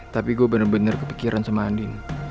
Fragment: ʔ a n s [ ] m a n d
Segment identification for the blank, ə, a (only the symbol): ə